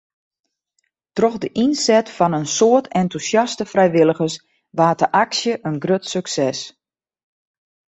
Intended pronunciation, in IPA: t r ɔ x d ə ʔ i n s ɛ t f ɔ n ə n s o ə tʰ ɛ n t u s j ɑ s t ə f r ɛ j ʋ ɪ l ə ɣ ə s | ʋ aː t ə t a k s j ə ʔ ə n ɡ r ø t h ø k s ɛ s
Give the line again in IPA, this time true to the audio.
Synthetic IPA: t r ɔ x d ə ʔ i n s ɛ t f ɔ n ə n s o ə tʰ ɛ n t u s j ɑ s t ə f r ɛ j ʋ ɪ l ə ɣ ə s | ʋ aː t ə ʔ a k s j ə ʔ ə n ɡ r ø t s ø k s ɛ s